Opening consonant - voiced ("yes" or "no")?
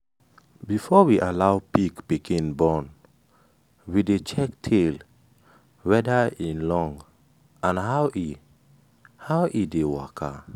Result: yes